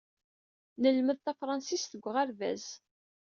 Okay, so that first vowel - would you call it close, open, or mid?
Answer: mid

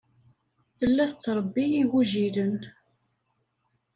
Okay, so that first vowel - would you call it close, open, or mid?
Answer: mid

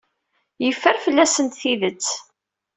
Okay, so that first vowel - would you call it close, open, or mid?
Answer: mid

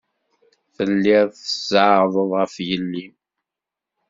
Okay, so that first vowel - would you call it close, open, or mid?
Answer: mid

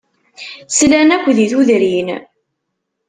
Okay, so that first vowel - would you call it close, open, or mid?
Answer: open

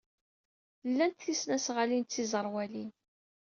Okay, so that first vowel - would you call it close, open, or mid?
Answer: open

